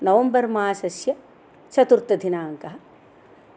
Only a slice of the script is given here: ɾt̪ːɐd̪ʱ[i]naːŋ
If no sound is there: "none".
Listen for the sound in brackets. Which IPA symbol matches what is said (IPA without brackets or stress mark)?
i